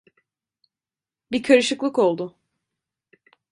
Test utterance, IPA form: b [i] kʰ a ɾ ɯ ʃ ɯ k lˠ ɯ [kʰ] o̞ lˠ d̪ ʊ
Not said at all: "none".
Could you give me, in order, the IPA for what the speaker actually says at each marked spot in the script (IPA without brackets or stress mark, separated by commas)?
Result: i, k